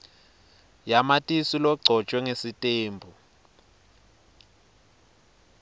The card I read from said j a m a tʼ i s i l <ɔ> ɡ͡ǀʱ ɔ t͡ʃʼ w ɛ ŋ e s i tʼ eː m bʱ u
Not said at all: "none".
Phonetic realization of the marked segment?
ɔ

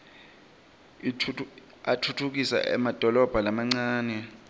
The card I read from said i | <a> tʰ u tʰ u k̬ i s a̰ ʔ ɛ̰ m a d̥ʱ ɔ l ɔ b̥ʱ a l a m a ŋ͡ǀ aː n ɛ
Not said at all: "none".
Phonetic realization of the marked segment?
a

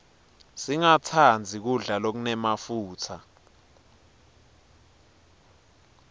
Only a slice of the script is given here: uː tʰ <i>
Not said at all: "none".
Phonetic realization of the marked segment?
a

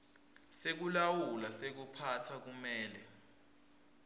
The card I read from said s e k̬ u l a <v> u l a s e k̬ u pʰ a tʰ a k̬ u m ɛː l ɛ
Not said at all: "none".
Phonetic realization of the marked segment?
w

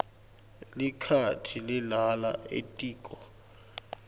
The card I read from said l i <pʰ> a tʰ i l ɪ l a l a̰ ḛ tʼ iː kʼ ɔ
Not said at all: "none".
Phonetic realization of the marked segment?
kʰ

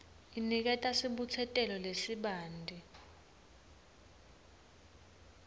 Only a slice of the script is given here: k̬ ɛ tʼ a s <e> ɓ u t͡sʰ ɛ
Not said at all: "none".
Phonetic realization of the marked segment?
i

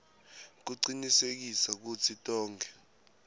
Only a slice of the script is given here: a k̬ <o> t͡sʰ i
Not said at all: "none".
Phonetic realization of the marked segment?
u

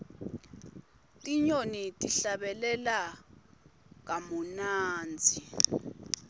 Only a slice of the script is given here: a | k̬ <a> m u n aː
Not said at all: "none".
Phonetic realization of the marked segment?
a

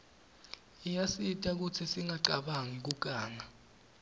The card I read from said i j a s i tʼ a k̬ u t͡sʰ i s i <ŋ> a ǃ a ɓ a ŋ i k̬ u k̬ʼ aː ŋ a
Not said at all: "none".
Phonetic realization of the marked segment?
ŋ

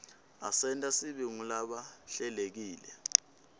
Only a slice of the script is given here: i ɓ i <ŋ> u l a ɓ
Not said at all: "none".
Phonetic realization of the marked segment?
ŋ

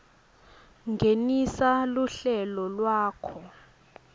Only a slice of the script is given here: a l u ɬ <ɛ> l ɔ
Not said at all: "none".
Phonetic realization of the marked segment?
ɛ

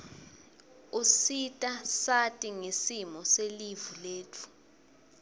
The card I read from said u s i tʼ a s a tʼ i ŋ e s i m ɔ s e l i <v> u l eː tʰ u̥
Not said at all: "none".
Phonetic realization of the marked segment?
v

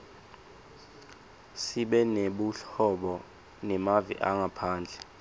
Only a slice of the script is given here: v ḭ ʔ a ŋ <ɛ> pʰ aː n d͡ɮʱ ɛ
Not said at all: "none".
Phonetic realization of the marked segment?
a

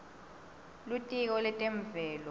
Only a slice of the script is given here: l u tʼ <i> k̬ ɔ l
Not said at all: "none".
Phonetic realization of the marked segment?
i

